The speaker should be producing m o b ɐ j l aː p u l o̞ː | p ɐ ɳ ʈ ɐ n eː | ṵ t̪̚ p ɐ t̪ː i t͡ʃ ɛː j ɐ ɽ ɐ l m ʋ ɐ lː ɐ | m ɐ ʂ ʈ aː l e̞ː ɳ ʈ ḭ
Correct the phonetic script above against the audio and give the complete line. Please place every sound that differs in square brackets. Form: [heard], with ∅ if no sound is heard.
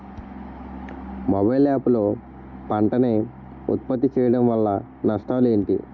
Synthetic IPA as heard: m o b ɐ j l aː p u l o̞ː | p ɐ ɳ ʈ ɐ n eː | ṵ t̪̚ p ɐ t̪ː i t͡ʃ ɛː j ɐ ɽ ɐ [∅] m ʋ ɐ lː ɐ | [n] ɐ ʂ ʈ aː l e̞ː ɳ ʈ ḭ